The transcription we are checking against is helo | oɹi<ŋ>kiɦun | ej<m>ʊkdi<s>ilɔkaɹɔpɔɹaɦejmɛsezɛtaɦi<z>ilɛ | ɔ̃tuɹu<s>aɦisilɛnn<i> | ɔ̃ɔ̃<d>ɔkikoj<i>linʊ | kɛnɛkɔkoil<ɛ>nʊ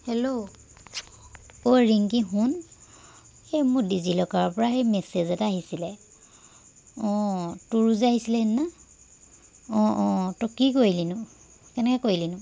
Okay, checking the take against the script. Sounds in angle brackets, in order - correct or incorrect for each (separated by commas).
correct, correct, incorrect, incorrect, incorrect, incorrect, incorrect, correct, incorrect